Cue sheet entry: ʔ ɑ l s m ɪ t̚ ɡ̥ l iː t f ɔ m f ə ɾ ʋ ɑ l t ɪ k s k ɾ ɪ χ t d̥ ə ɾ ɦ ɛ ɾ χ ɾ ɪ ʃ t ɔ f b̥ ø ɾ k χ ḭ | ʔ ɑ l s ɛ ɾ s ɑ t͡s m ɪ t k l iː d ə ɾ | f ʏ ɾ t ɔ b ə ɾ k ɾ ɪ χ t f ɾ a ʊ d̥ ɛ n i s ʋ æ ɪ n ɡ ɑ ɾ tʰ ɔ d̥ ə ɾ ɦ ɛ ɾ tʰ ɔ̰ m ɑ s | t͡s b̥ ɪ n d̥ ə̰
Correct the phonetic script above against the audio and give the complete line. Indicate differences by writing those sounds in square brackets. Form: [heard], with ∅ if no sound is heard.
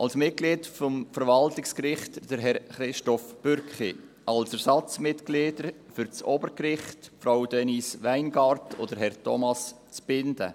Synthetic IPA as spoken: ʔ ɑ l s m ɪ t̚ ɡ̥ l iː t f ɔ m f ə ɾ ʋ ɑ l t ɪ k s k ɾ ɪ χ t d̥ ə ɾ ɦ ɛ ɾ χ ɾ ɪ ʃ t ɔ f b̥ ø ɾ k χ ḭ | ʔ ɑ l s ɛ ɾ s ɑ t͡s m ɪ t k l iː d ə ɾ | f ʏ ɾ [t͡s] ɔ b ə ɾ k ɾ ɪ χ t f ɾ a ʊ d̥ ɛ n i s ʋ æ ɪ n ɡ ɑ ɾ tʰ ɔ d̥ ə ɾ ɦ ɛ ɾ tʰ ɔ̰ m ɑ s | t͡s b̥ ɪ n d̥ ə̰